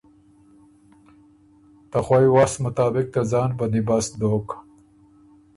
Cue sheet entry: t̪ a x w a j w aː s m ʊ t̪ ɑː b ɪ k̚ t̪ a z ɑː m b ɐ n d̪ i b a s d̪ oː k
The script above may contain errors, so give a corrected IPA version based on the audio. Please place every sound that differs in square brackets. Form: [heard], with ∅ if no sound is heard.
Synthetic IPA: t̪ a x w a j w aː s m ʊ t̪ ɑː b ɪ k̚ t̪ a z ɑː [n] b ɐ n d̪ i b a s d̪ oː k